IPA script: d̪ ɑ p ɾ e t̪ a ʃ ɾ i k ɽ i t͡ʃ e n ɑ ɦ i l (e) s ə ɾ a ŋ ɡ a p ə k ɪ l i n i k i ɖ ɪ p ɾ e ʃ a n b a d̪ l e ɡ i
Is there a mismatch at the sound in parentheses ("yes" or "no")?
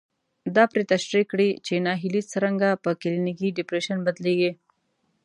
yes